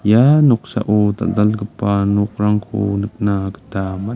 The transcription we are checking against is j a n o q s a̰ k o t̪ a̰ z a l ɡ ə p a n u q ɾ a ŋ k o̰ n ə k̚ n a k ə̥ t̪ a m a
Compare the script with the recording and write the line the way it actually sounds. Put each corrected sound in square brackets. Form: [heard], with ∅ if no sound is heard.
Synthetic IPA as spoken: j a n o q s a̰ [ʔ] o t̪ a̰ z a l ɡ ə p a n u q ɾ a ŋ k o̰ n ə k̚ n a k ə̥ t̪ a m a